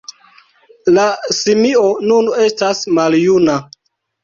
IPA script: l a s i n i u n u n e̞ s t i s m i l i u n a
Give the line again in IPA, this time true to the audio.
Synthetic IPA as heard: l a s i m i o n u n e̞ s t a s m a l j u n a